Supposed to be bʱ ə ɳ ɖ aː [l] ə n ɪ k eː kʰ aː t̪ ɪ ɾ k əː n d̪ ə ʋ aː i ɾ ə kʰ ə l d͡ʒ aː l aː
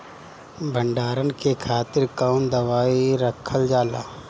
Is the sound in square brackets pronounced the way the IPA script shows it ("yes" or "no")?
no